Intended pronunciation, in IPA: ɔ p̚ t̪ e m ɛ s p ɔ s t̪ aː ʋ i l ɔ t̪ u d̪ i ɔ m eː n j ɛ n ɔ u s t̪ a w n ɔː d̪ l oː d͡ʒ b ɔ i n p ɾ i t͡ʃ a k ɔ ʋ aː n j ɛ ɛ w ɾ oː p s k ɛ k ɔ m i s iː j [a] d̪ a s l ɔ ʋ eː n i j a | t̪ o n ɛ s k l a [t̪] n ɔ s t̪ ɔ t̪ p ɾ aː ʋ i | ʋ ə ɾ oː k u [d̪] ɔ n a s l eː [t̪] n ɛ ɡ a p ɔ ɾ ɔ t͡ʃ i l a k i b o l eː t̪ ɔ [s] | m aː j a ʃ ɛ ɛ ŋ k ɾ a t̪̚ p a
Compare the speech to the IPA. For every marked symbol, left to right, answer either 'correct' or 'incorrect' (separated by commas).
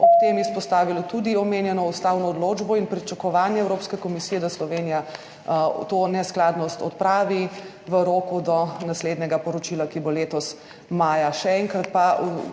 incorrect, incorrect, correct, incorrect, correct